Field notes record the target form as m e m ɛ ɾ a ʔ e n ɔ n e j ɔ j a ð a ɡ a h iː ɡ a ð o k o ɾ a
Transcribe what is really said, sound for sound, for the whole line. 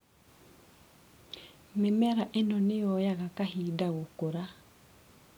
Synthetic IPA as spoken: m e m ɛ ɾ a ʔ e n ɔ n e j ɔ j a ɣ a k a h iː d a ɣ o k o ɾ a